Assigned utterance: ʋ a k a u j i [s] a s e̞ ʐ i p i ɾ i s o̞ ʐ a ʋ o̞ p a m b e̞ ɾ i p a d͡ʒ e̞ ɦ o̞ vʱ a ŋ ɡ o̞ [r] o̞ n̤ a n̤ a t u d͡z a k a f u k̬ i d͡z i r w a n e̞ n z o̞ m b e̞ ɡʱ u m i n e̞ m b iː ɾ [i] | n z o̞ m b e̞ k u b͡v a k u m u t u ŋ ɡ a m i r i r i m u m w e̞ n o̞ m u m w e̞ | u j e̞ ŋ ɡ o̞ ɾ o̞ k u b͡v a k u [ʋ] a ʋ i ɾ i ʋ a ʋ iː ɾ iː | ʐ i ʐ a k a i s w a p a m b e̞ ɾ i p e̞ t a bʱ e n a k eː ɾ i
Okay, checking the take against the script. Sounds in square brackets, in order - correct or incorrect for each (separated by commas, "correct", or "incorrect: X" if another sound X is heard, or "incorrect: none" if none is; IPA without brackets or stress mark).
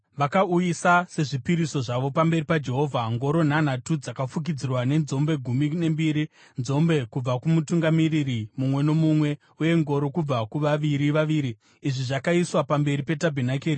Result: correct, incorrect: ɾ, correct, correct